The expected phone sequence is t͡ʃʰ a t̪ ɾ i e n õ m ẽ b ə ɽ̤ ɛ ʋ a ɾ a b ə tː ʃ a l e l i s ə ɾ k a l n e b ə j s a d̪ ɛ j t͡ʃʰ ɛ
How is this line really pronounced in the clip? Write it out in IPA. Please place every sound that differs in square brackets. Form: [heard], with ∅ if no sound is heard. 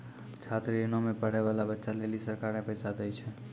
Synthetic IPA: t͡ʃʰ a t̪ ɾ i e n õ m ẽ [p] ə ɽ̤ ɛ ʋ a [l] a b ə tː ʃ a l e l i s ə ɾ k a [ɾ] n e [p] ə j s a d̪ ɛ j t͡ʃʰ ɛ